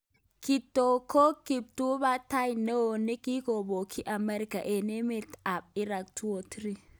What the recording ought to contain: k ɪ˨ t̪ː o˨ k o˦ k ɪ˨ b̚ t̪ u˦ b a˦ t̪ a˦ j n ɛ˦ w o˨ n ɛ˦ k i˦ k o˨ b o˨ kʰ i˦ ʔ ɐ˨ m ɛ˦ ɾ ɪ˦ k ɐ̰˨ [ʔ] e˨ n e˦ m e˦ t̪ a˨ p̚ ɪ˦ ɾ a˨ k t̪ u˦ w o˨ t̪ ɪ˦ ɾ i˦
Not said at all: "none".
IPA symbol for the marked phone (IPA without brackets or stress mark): ʔ